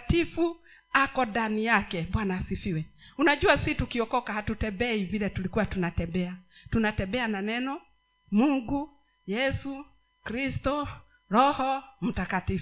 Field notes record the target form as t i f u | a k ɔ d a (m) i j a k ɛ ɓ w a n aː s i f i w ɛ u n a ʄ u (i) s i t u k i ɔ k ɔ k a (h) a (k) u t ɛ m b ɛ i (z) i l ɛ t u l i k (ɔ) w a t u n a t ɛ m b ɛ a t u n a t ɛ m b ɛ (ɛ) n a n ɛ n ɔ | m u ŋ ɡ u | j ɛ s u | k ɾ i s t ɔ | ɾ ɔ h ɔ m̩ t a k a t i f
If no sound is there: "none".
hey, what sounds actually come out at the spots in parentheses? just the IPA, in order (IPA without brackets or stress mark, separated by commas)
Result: n, a, h, t, v, u, a